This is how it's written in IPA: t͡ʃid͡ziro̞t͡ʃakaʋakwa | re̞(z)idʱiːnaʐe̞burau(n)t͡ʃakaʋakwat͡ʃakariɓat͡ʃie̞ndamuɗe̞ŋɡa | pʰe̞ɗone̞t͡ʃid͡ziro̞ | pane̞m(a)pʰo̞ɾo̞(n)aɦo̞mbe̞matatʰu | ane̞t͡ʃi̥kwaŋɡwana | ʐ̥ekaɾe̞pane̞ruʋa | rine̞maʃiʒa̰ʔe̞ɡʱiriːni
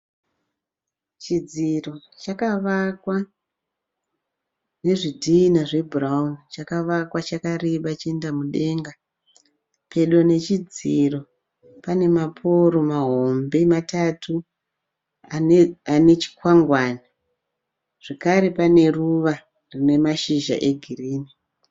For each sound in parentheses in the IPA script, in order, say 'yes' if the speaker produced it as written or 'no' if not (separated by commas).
no, yes, yes, no